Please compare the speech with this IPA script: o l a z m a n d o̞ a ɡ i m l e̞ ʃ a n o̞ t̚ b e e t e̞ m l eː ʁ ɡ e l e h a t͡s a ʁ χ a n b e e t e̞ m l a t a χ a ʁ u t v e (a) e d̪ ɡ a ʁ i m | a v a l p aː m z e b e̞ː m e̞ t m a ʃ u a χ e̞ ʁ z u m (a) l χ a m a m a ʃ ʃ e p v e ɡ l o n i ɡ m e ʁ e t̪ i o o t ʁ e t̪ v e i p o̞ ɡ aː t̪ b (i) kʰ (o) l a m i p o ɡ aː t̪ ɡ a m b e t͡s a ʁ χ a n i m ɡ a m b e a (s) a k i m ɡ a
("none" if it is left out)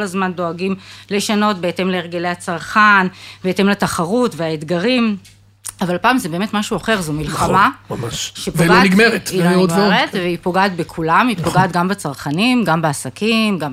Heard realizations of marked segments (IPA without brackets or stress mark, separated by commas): a, i, e, u, s